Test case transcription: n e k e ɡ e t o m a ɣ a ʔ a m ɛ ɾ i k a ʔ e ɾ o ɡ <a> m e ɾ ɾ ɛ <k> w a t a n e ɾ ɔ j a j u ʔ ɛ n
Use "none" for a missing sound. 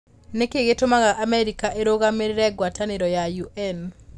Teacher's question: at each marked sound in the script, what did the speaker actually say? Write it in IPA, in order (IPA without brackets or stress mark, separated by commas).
a, ɡ